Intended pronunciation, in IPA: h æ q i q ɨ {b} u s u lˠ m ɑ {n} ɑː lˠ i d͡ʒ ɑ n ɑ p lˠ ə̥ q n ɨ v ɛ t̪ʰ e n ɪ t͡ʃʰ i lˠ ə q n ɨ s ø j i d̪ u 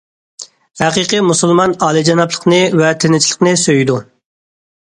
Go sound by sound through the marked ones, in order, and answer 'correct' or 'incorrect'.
incorrect: m, correct

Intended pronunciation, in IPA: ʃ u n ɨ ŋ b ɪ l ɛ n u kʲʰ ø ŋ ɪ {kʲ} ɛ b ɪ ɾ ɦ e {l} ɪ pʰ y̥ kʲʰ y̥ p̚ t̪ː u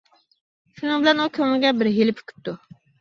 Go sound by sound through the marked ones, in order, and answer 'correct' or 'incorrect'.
incorrect: ɡʲ, correct

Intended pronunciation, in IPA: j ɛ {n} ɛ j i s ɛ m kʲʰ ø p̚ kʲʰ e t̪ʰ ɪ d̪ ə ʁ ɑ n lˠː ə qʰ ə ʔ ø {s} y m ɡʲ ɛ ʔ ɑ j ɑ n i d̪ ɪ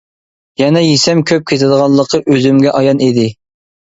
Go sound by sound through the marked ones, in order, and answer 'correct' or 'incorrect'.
correct, incorrect: z

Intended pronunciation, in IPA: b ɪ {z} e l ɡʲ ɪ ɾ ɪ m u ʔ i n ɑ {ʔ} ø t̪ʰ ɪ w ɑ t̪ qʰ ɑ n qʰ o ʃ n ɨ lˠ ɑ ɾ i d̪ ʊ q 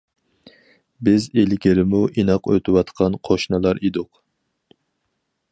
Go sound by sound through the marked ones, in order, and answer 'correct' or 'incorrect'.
correct, incorrect: q

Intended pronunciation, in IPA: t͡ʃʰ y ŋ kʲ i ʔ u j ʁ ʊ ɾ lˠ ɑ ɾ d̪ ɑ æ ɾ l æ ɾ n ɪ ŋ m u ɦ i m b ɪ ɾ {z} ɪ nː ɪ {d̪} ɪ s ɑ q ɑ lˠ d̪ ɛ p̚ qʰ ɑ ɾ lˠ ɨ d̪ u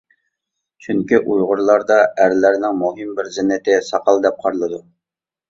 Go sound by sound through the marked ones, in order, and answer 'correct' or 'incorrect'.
correct, incorrect: t̪

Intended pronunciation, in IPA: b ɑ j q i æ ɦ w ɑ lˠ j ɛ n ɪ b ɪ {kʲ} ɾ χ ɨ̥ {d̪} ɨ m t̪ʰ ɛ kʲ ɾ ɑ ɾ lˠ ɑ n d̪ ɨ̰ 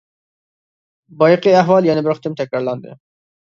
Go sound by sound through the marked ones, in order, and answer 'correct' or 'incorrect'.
incorrect: none, incorrect: t̪

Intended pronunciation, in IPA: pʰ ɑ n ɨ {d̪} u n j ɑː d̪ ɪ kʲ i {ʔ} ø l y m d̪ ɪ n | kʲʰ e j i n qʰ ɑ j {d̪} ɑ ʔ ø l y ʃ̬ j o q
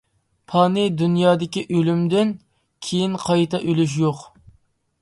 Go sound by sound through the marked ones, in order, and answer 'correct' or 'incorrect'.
correct, correct, incorrect: t̪

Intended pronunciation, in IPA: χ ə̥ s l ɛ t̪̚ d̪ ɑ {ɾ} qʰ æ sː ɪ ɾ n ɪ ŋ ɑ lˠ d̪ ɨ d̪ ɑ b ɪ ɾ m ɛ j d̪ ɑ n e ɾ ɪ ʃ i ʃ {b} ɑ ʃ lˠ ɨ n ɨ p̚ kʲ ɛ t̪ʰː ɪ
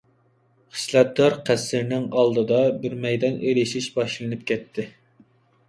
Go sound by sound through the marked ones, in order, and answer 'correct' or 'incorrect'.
correct, correct

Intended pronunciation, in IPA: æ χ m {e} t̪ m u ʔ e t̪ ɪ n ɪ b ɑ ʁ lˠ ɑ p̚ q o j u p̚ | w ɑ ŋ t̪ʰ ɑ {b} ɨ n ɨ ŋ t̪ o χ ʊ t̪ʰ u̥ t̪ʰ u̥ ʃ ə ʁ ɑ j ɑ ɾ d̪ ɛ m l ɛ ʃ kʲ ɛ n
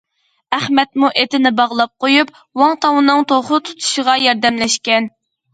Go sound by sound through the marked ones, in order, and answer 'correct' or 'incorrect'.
incorrect: ɛ, incorrect: w

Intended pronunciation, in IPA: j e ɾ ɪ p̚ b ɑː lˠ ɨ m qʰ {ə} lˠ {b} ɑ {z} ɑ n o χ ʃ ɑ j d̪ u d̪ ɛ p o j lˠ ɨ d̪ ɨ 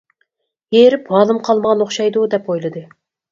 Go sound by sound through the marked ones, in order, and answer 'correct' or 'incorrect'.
incorrect: ɑ, incorrect: m, incorrect: ʁ

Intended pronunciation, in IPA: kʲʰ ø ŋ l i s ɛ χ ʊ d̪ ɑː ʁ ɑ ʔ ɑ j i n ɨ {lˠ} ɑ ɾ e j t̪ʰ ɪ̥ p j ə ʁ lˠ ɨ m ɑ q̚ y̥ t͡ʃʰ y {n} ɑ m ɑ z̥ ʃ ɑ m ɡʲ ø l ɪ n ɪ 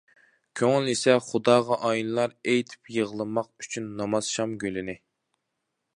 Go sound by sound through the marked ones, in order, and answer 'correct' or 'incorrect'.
correct, incorrect: nː

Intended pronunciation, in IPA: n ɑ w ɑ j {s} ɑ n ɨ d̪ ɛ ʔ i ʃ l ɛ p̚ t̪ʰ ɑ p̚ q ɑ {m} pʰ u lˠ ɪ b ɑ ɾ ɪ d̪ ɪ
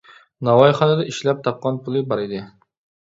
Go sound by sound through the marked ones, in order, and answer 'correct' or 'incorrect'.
incorrect: χ, incorrect: n

